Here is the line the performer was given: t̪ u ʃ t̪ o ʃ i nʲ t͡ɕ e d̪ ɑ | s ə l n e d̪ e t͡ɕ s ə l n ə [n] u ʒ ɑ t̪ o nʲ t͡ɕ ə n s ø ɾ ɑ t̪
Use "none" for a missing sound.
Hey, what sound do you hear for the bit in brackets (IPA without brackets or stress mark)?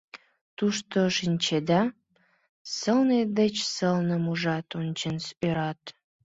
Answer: m